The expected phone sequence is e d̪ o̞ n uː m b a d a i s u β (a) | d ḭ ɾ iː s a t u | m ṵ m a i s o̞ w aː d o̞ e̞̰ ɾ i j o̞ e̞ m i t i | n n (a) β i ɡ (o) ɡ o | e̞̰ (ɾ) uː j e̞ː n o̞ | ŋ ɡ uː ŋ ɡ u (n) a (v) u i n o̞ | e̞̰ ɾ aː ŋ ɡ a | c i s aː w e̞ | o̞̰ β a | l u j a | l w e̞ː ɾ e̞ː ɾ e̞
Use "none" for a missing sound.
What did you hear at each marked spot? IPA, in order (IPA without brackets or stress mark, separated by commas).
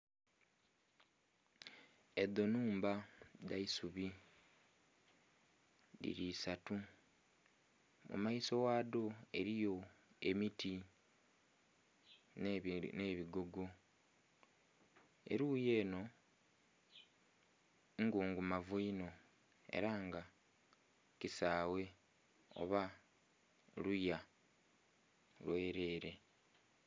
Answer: i, e, o, ɾ, m, v